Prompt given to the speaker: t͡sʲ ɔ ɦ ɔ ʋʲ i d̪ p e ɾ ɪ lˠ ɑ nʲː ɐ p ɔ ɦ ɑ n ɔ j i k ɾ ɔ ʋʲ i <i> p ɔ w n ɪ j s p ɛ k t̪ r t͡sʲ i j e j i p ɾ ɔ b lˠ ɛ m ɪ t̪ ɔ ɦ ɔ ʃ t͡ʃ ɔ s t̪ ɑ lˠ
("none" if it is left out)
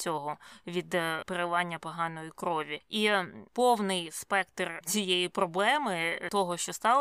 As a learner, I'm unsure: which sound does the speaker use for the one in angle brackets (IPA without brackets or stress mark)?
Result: i